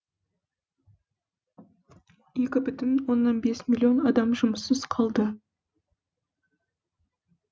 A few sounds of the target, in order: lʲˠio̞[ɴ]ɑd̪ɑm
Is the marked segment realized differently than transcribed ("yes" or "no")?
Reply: yes